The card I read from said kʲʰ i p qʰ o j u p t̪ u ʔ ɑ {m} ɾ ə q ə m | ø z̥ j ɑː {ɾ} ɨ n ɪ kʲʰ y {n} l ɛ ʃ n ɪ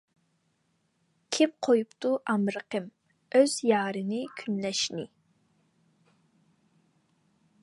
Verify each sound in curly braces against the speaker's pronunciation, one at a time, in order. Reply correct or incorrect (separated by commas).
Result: correct, correct, correct